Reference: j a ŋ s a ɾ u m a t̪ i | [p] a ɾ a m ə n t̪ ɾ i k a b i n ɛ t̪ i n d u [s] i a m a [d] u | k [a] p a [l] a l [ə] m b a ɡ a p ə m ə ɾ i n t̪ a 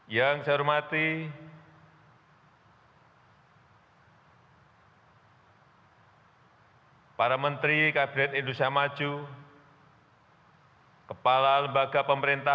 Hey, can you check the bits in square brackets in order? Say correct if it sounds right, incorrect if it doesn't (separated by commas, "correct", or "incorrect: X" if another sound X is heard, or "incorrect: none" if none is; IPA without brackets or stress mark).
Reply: correct, correct, incorrect: d͡ʒ, incorrect: ə, correct, correct